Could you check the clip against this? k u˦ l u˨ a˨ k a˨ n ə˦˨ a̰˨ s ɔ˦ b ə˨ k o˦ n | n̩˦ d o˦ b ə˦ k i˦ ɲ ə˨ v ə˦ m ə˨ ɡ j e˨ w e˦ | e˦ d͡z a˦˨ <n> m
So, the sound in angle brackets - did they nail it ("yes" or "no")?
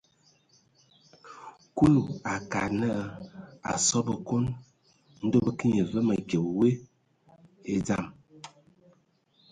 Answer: no